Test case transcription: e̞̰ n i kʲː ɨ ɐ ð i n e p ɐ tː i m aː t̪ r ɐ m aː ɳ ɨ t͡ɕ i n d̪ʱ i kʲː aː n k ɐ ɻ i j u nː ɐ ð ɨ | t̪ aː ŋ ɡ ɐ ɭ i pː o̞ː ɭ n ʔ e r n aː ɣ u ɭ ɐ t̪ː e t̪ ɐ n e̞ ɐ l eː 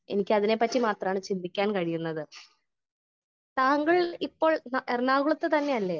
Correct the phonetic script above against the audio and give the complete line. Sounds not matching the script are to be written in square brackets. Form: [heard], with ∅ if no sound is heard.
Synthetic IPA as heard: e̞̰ n i kʲː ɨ ɐ ð i n e p ɐ tː i m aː t̪ r ɐ m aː ɳ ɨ t͡ɕ i n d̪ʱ i kʲː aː n k ɐ ɻ i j u nː ɐ ð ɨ | t̪ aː ŋ ɡ ɐ ɭ i pː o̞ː ɭ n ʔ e r n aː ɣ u ɭ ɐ t̪ː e t̪ ɐ [nː] e̞ ɐ [lː] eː